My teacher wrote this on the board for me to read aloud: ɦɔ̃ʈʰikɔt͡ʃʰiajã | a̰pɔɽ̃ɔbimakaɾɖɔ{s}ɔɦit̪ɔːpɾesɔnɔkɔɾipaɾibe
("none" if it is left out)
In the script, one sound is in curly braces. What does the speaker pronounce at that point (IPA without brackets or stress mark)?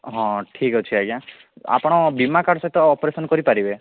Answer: s